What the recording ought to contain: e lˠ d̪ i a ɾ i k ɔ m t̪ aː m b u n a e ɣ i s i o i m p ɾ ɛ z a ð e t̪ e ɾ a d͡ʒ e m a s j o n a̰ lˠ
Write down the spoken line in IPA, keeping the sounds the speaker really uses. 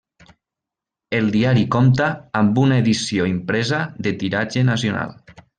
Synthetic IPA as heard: e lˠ d̪ i a ɾ i k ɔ m t̪ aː m b u n a e ð i s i o i m p ɾ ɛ z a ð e t̪ i ɾ a d͡ʒ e n a s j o n a̰ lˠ

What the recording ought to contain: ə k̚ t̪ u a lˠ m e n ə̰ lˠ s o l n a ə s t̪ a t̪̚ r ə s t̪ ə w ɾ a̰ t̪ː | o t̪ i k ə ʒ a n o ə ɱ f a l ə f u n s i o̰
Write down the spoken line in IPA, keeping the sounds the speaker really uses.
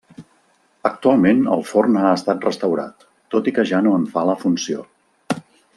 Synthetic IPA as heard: ə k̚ t̪ u a lˠ m e n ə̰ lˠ f o r n a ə s t̪ a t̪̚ r ə s t̪ ə w ɾ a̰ t̪ː | o t̪ i k ə ʒ a n o ə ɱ f a l ə f u n s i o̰

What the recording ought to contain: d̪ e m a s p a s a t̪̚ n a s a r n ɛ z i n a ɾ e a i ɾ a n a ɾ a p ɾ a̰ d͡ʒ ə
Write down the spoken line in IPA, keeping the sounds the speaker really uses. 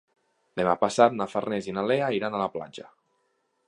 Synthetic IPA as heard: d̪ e m a p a s a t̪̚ n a f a r n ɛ z i n a l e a i ɾ a n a l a p l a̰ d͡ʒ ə

